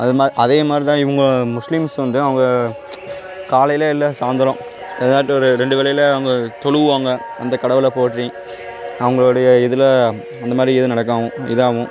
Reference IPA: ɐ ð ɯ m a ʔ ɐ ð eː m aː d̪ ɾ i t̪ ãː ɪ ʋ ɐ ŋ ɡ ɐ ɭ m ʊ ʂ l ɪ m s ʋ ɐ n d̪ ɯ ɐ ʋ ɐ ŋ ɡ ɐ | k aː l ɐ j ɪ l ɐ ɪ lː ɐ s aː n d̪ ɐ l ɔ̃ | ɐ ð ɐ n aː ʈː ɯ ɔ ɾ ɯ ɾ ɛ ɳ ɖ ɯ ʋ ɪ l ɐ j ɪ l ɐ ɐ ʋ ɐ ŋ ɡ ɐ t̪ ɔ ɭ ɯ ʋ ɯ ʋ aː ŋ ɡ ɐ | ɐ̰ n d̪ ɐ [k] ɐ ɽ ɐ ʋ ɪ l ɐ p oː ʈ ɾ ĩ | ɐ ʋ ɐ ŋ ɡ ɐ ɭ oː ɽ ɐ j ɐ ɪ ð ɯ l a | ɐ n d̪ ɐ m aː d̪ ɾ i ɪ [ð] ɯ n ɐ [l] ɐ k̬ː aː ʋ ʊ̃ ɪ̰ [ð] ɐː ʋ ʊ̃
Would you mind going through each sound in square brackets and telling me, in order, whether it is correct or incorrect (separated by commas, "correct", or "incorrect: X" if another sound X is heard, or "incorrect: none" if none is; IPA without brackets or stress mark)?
correct, correct, incorrect: ɽ, correct